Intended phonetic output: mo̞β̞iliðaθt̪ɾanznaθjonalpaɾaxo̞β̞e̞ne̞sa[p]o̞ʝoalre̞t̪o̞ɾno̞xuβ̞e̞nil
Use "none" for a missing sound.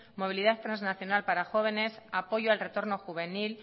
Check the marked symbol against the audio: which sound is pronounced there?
p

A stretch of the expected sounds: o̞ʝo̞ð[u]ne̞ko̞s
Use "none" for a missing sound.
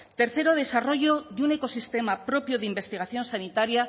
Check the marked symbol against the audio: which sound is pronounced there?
u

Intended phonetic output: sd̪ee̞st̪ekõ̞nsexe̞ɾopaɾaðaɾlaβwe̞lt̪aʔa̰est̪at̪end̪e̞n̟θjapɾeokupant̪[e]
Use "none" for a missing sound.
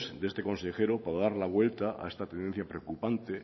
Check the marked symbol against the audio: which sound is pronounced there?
e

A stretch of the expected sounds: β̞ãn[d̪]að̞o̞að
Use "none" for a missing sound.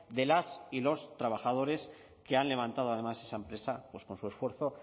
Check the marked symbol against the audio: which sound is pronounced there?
t̪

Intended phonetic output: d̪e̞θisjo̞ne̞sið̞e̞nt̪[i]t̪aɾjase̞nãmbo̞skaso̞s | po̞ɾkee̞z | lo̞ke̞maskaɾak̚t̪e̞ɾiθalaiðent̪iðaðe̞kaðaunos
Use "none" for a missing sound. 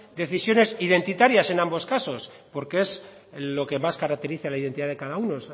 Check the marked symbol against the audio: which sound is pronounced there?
i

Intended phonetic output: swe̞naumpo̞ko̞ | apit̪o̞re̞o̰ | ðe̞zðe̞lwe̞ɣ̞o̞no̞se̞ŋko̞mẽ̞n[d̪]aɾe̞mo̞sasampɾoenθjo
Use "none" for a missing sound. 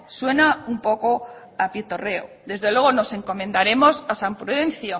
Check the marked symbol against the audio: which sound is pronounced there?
d̪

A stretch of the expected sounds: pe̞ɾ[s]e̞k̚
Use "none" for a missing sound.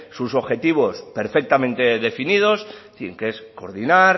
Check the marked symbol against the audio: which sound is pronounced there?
f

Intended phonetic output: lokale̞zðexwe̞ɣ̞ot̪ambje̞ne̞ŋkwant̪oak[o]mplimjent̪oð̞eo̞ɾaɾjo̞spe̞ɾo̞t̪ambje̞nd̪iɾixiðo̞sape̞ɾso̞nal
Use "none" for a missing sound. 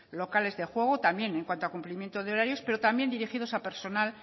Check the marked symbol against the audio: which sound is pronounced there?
u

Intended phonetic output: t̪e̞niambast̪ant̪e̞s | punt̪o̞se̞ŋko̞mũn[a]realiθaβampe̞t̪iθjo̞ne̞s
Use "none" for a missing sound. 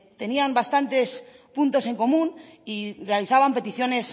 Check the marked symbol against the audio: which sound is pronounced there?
i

